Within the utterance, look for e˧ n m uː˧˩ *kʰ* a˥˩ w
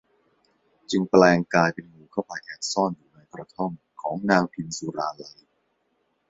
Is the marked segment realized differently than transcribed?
no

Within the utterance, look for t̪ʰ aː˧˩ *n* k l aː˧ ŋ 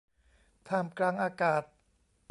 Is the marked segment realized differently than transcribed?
yes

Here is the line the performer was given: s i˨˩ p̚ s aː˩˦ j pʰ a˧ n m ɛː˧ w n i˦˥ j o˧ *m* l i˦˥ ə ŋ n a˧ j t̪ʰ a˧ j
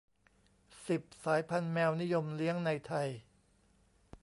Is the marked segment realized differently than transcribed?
no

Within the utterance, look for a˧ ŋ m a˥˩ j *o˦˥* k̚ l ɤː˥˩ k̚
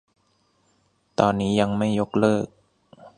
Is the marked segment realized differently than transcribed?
no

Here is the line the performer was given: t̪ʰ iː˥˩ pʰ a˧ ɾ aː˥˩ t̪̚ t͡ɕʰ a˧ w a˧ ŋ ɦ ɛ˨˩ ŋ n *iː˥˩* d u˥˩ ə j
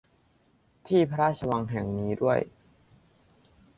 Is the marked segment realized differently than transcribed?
yes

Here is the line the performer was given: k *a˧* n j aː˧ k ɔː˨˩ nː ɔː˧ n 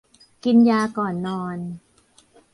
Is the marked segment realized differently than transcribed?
yes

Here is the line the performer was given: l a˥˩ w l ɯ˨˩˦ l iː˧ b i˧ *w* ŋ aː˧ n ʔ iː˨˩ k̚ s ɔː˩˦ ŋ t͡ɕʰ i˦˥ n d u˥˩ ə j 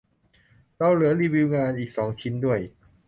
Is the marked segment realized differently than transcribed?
no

